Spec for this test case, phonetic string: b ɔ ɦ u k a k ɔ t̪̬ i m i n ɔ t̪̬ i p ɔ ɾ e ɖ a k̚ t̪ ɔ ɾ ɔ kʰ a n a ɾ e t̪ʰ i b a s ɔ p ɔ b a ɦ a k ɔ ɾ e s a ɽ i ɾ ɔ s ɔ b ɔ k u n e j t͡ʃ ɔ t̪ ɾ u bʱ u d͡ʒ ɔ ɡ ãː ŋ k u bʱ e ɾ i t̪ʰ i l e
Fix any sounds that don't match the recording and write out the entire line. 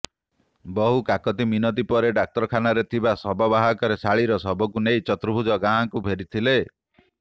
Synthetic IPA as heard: b ɔ ɦ u k a k ɔ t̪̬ i m i n ɔ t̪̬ i p ɔ ɾ e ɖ a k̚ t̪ ɔ ɾ ɔ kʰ a n a ɾ e t̪ʰ i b a s ɔ b ɔ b a ɦ a k ɔ ɾ e s a ɭ i ɾ ɔ s ɔ b ɔ k u n e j t͡ʃ ɔ t̪ ɾ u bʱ u d͡ʒ ɔ ɡ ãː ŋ k u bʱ e ɾ i t̪ʰ i l e